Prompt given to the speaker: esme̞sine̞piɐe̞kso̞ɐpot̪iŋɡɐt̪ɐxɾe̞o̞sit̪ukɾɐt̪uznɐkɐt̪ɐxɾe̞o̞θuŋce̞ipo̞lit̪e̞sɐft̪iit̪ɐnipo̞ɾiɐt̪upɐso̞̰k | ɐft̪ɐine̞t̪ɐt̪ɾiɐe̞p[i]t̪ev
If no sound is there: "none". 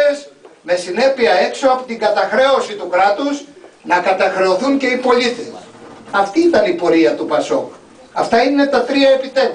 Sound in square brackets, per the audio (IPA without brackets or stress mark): i